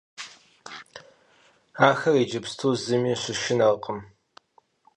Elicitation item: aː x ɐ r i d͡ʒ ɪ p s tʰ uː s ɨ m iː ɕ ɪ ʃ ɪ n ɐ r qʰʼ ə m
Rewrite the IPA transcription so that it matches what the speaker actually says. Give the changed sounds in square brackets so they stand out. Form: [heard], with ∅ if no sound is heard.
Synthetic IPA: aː x ɐ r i d͡ʒ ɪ p s tʰ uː [z] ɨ m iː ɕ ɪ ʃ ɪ n ɐ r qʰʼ ə m